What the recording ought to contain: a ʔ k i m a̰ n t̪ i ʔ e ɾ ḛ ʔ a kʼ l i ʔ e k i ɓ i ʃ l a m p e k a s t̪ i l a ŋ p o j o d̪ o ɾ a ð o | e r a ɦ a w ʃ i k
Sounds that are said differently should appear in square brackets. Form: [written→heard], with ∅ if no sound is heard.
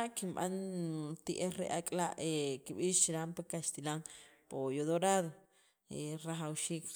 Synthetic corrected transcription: a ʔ k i m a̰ n t̪ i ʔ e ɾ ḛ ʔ a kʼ l [i→a] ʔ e k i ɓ i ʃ [l→ɾ] a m p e k a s t̪ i l a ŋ p o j o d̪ o ɾ a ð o | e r a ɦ a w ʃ i k

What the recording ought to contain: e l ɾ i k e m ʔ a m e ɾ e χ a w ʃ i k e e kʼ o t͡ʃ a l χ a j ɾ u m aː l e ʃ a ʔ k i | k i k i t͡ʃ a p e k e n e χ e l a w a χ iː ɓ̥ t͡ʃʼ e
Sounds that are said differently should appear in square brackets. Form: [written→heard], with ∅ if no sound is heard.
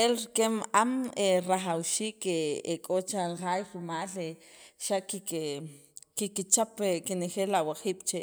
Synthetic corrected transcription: e l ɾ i k e m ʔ a m e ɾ [e→a] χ a w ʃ [i→iː] k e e kʼ o t͡ʃ a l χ a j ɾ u m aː l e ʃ a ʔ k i | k i k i t͡ʃ a p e k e n e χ e l a w a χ iː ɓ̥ [t͡ʃʼ→t͡ʃ] e

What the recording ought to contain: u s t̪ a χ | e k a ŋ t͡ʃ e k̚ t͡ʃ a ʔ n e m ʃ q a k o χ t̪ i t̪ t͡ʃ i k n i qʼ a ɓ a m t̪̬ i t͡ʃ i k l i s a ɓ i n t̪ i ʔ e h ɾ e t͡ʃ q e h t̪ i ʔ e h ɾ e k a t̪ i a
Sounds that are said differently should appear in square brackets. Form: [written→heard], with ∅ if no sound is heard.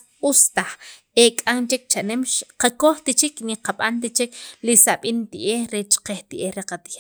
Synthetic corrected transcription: u s t̪ a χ | e [k→kʼ] a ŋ t͡ʃ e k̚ t͡ʃ a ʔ n e m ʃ q a k o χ t̪ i [t̪→∅] t͡ʃ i k n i [qʼ→q] a ɓ a [m→n] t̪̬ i t͡ʃ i k l i s a ɓ i n t̪ i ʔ e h ɾ e t͡ʃ q e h t̪ i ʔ e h ɾ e [k→q] a t̪ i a

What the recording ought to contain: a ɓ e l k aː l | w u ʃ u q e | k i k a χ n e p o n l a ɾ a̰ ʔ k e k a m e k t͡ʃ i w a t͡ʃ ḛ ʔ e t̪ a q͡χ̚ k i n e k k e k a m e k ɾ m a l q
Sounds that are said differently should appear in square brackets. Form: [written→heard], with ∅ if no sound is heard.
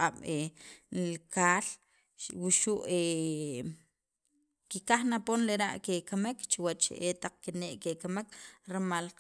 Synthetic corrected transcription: a ɓ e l k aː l | w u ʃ u [q→ʔ] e | k i k a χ n [e→a] p o n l [a→e] ɾ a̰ ʔ k e k a m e k t͡ʃ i w a t͡ʃ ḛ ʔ e t̪ a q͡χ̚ k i n e [k→ʔ] k e k a m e k ɾ m a l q

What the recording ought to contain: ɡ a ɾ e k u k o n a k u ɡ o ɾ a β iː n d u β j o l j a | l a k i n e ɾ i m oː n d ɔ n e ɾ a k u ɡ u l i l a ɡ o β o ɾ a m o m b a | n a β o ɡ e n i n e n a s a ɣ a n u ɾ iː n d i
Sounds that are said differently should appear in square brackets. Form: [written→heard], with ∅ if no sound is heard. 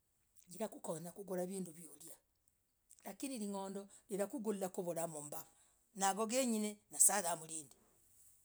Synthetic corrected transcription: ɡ [a→i] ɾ [e→a] k u k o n a k u ɡ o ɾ a β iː n d u β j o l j a | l a k i n [e→i] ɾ i [m→ŋ] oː n d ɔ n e ɾ a k u ɡ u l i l a [ɡ→k] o β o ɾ a m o m b a | n a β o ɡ e [n→ɲ] i n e n a s a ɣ a [n→m] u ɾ iː n d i

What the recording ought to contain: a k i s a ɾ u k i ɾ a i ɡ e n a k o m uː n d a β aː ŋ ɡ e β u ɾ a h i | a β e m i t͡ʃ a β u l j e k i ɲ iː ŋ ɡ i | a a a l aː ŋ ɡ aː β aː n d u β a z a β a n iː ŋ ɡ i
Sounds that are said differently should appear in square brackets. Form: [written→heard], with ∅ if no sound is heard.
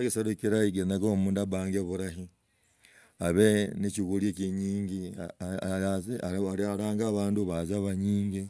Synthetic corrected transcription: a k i s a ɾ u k i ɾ a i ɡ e n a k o m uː n d a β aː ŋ ɡ e β u ɾ a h i | a β e [m→n] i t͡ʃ [a→i] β u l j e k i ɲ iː ŋ ɡ i | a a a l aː ŋ ɡ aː β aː n d u β a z a β a [n→ɲ] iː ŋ ɡ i

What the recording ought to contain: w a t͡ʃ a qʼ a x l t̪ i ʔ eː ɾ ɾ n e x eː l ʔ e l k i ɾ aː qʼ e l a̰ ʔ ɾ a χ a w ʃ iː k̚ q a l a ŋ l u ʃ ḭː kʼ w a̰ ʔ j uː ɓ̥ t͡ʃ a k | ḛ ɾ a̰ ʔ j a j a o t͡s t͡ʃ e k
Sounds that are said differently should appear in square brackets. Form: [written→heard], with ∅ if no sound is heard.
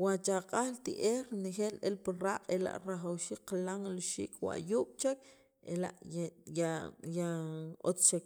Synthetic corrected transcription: w a t͡ʃ a qʼ a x l t̪ i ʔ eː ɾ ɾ n e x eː l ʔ e l [k→p] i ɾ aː qʼ e l a̰ ʔ ɾ a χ a w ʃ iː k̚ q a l a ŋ l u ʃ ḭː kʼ w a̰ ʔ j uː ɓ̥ t͡ʃ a k | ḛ [ɾ→l] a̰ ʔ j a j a o t͡s t͡ʃ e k

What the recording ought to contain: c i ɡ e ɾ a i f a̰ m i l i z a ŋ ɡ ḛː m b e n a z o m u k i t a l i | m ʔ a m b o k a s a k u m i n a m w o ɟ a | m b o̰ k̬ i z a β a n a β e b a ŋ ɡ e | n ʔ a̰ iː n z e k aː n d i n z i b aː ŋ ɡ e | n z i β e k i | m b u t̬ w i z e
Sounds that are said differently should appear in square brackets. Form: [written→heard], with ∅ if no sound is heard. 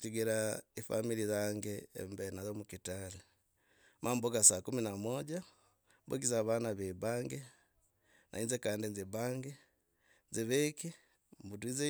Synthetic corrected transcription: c i ɡ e ɾ a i f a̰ m i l i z a ŋ ɡ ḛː m b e n a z o m u k i t a l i | m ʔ a m b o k a s a k u m i n a m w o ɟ a | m b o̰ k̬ i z a β a n a β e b a ŋ ɡ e | n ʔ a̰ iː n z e k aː n d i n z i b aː ŋ ɡ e | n z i β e k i | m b u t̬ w i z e

